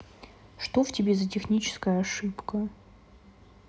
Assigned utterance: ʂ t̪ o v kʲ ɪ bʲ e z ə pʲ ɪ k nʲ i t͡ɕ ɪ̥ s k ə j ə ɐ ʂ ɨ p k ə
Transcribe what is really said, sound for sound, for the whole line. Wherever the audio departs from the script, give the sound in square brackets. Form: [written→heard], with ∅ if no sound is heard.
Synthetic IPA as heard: ʂ t̪ o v [kʲ→tʲ] ɪ bʲ e z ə [pʲ→tʲ] ɪ [k→x] nʲ i t͡ɕ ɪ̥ s k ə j ə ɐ ʂ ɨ p k ə